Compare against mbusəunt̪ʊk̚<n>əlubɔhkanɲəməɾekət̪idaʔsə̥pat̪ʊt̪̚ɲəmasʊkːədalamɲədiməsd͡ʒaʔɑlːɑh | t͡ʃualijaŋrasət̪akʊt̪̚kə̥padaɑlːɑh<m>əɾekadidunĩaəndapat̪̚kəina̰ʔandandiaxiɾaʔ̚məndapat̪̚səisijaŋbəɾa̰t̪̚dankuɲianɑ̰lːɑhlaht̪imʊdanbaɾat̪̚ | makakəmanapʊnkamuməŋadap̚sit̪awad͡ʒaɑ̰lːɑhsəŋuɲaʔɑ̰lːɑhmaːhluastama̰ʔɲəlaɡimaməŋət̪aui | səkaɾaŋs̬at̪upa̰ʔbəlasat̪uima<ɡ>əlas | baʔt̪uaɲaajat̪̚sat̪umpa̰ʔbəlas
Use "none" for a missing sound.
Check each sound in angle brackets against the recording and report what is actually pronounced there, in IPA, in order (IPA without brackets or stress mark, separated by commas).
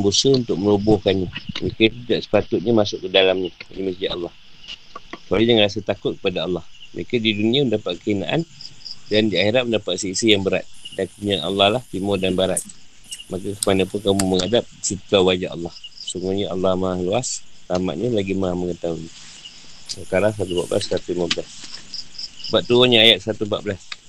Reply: m, m, b